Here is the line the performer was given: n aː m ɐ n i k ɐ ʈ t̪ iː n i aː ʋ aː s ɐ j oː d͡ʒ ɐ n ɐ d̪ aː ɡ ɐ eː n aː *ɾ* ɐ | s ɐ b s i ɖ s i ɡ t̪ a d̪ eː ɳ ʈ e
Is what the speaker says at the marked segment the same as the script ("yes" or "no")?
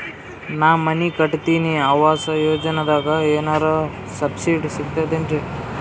yes